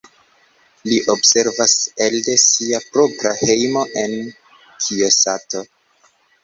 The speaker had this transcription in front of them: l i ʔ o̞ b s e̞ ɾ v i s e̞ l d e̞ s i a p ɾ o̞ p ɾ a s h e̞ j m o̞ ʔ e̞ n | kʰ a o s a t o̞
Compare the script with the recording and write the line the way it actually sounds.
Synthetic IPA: l i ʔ o̞ b s e̞ ɾ v a s e̞ l d e̞ s i a p ɾ o̞ p ɾ a h e̞ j m o̞ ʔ e̞ n | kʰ i o s a t o̞